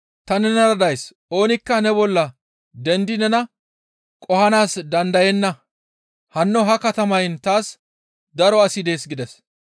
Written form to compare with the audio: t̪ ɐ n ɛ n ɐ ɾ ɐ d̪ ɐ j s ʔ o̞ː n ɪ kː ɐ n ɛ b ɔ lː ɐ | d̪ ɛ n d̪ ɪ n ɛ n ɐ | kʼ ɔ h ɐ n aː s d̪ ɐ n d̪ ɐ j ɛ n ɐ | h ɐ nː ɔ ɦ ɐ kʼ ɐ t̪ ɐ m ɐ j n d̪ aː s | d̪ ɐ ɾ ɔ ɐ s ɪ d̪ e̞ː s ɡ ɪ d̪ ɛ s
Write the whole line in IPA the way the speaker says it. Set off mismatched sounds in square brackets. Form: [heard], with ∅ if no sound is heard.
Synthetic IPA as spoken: t̪ ɐ n ɛ n ɐ ɾ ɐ d̪ ɐ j s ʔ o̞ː n ɪ kː ɐ n ɛ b ɔ lː ɐ | d̪ ɛ n d̪ ɪ n ɛ n ɐ | kʼ ɔ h ɐ n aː s d̪ ɐ n d̪ ɐ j ɛ [nː] ɐ | h ɐ nː ɔ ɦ ɐ [k] ɐ t̪ ɐ m ɐ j n [t̪] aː s | d̪ ɐ ɾ ɔ ɐ s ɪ d̪ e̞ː s ɡ ɪ d̪ ɛ s